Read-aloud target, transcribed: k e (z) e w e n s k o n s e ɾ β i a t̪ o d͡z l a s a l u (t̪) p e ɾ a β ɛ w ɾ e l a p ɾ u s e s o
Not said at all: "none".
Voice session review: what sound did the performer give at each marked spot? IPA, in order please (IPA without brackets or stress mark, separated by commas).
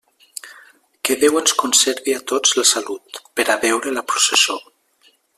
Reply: ð, t̪